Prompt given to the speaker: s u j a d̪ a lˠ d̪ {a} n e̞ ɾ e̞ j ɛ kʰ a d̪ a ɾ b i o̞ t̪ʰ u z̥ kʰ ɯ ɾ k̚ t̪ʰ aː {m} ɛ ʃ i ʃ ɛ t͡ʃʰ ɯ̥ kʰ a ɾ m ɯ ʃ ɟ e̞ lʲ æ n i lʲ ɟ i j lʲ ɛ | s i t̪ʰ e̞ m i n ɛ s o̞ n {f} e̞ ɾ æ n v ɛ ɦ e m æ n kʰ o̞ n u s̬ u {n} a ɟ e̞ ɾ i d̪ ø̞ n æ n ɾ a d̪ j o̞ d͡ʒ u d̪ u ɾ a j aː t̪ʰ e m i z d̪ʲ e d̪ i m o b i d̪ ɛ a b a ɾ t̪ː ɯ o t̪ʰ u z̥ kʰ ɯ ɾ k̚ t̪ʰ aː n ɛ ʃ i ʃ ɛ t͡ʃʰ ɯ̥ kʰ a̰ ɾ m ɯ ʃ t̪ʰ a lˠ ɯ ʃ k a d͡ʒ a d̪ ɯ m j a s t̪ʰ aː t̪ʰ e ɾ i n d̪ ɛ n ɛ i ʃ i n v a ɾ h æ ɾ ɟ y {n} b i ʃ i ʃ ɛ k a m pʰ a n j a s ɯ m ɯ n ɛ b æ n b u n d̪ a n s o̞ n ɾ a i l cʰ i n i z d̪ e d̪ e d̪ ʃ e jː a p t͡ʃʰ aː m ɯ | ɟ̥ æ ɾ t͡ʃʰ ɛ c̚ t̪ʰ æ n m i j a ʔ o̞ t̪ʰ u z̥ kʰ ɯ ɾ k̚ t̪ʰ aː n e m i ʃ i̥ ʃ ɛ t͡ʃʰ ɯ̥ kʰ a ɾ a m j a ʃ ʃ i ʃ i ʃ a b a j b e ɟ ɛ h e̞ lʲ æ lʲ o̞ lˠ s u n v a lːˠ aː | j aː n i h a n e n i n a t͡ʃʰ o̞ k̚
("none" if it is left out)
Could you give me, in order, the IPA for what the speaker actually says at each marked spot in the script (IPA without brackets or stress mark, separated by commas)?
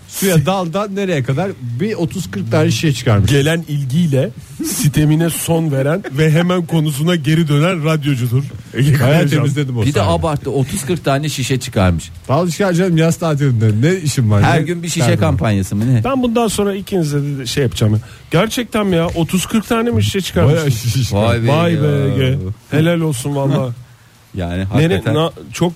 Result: a, n, v, n, n